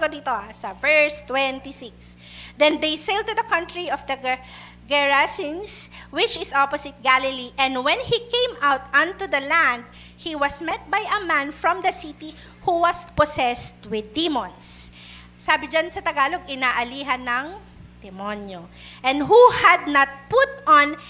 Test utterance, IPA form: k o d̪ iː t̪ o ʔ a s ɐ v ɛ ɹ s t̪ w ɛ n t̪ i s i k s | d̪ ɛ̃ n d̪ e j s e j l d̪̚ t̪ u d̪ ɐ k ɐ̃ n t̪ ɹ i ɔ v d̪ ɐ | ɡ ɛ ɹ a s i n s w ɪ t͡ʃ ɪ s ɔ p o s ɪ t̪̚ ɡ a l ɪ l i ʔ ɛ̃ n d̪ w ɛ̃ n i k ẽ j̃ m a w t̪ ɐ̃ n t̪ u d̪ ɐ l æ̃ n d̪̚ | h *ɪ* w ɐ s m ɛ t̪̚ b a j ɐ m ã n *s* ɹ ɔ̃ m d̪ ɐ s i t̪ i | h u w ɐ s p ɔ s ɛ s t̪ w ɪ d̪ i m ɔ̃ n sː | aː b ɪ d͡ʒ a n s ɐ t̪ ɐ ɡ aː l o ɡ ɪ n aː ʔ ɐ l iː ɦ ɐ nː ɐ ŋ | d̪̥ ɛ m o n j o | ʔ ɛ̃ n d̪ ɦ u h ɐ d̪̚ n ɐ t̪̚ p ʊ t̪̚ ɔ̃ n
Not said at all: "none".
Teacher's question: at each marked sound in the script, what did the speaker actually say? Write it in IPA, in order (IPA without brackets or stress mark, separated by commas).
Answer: i, f